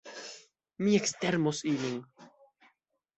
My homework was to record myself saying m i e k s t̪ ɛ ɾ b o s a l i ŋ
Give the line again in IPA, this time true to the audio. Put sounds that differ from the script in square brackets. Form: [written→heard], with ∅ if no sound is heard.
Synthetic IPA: m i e k s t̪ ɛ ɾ [b→m] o s [a→i] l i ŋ